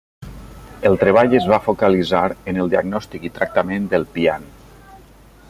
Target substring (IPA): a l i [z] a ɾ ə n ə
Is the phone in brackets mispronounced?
no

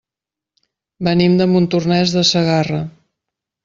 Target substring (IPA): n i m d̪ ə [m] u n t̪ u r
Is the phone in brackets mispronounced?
no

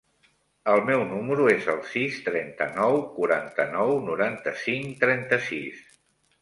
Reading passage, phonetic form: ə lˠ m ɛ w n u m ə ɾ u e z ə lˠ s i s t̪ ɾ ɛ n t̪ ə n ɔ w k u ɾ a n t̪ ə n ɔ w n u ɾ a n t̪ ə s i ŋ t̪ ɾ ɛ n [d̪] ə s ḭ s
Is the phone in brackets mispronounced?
yes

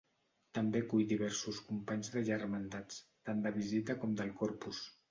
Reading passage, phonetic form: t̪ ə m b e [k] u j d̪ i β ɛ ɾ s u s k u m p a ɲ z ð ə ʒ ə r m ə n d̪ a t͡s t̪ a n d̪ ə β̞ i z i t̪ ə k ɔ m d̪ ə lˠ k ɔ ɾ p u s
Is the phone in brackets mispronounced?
no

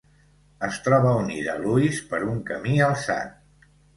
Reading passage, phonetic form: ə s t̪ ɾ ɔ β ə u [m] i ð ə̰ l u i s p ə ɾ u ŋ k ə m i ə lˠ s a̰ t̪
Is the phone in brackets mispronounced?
yes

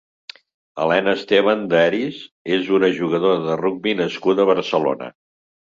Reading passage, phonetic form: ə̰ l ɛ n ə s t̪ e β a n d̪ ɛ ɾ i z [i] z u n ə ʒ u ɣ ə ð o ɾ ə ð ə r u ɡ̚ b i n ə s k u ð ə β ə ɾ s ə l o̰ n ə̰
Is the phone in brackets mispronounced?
yes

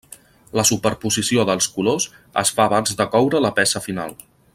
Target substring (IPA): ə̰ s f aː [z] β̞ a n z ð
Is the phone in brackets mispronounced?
yes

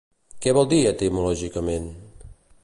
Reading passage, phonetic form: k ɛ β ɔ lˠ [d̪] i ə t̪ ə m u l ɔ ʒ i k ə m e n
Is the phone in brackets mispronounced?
no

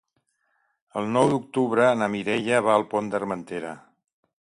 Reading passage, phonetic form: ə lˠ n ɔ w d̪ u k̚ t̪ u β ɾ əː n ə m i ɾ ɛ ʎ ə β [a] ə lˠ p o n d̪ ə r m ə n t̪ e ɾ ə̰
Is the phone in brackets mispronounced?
no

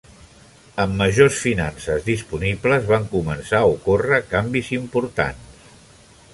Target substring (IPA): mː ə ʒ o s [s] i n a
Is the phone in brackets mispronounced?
yes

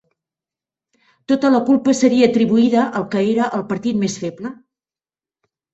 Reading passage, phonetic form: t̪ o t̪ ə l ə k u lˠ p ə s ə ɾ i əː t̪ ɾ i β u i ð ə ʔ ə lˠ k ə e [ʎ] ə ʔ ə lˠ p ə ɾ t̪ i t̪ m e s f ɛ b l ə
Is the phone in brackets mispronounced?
yes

